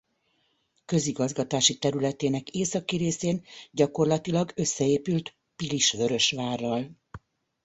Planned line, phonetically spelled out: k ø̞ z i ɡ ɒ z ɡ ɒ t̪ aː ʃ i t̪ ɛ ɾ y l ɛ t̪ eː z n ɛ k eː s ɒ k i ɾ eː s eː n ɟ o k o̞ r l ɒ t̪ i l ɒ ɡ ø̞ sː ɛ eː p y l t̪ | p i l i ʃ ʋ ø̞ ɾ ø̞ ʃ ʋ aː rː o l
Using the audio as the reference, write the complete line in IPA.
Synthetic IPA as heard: k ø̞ z i ɡ ɒ z ɡ ɒ t̪ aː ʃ i t̪ ɛ ɾ y l ɛ t̪ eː n ɛ k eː s ɒ k i ɾ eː s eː n ɟ ɒ k o̞ r l ɒ t̪ i l ɒ ɡ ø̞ sː ɛ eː p y l t̪ | p i l i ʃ ʋ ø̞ ɾ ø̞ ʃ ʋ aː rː ɒ l